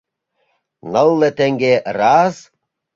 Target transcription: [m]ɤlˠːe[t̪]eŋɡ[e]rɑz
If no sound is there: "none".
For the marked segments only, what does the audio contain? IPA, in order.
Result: n, t̪, e

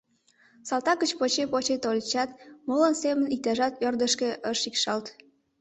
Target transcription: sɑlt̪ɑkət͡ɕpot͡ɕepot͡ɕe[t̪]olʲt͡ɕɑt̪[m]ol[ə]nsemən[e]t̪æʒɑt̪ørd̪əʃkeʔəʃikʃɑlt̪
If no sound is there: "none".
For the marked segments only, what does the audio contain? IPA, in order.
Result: t̪, m, ə, i

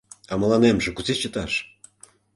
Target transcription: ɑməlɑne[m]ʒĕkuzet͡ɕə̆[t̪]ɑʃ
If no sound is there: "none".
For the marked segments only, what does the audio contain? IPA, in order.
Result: m, t̪

